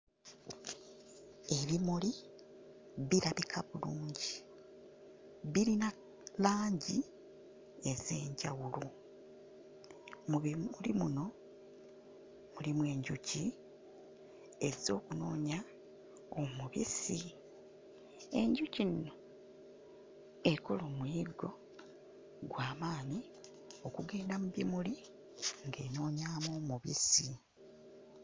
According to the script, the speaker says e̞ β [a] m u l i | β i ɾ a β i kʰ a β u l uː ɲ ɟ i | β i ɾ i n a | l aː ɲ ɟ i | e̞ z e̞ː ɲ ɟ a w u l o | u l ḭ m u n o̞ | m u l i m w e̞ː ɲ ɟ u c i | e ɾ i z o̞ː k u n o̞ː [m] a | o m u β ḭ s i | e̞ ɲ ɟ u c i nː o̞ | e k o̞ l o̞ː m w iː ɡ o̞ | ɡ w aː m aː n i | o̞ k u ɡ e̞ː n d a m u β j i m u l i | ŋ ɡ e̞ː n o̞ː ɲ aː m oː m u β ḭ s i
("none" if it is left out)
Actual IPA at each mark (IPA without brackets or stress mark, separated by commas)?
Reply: i, ɲ